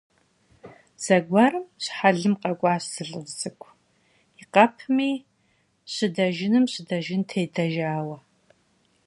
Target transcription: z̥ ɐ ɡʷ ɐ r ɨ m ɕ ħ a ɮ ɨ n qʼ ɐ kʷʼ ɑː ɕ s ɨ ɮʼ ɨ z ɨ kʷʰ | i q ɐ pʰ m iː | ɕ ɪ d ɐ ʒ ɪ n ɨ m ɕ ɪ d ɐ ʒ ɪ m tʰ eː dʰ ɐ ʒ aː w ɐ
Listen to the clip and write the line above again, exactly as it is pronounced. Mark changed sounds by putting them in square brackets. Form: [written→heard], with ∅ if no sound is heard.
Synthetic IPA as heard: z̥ ɐ ɡʷ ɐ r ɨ m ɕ ħ a ɮ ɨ [n→m] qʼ ɐ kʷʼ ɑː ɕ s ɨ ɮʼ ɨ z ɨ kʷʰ | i q ɐ pʰ m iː | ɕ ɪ d ɐ ʒ ɪ n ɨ m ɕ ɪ d ɐ ʒ ɪ [m→n] tʰ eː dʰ ɐ ʒ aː w ɐ